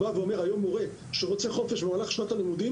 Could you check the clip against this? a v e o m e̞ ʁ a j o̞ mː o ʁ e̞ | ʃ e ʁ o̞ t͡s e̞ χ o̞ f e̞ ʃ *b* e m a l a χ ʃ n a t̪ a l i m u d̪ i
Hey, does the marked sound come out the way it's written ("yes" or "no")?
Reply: yes